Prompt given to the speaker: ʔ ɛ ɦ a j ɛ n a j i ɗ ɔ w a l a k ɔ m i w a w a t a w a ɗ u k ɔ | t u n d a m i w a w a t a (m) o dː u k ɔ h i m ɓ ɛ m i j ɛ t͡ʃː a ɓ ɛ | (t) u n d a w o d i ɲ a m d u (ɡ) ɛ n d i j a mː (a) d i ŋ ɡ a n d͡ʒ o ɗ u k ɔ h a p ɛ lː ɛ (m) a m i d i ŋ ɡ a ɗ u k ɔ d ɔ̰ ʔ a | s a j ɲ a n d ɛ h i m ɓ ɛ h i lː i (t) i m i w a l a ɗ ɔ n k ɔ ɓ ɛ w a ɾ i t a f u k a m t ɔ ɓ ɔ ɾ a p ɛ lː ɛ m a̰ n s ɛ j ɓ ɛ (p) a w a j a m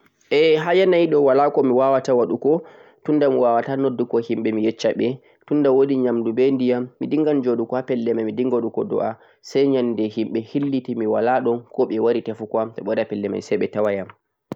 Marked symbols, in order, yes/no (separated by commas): no, yes, no, no, yes, yes, no